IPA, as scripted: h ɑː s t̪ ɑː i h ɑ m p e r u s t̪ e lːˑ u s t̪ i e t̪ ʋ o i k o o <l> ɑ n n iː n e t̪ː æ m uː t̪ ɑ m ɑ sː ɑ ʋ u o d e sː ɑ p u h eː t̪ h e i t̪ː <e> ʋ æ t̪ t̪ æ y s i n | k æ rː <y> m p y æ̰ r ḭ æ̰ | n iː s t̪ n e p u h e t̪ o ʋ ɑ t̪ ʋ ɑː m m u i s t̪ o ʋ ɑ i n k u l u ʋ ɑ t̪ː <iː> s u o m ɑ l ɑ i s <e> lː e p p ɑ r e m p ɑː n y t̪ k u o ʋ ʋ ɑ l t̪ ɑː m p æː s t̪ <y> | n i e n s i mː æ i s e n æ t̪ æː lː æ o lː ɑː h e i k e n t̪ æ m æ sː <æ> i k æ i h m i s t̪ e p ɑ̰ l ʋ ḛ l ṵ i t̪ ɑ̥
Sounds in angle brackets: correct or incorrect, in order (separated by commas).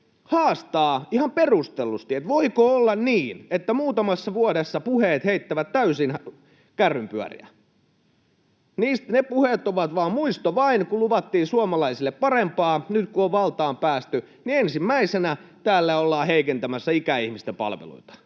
incorrect, incorrect, correct, correct, incorrect, correct, correct